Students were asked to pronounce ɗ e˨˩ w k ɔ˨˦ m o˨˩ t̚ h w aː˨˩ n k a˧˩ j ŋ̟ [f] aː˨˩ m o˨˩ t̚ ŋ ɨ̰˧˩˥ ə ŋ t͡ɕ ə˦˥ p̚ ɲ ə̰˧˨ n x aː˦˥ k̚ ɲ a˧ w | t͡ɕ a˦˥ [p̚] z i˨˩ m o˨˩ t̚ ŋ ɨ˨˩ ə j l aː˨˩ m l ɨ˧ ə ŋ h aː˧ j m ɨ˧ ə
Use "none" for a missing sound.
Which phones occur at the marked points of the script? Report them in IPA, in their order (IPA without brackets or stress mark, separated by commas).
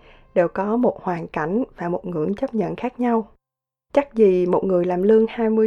v, k̚